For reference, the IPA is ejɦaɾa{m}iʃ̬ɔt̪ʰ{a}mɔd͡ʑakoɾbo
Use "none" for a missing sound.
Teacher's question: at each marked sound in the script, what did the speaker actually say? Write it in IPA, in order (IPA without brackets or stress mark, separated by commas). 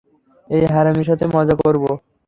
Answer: m, e